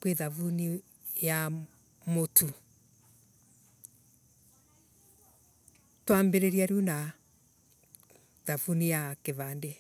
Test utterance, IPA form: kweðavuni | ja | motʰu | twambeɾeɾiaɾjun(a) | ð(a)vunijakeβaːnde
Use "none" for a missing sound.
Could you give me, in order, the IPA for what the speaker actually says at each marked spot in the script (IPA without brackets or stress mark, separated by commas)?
a, a